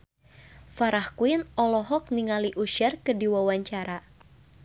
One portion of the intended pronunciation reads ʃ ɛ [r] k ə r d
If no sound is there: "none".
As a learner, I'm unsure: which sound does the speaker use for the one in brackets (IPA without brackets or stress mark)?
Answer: r